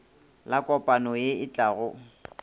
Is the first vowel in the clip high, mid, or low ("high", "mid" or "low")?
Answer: low